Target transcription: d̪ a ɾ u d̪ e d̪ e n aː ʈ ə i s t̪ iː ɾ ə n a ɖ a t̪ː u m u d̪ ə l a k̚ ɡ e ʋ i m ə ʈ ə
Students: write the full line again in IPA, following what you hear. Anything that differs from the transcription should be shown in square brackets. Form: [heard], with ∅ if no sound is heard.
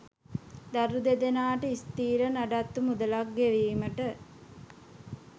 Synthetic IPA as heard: d̪ a ɾ u d̪ e d̪ e n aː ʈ ə i s t̪ iː ɾ ə n a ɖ a t̪ː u m u d̪ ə l a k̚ ɡ e ʋ [iː] m ə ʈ ə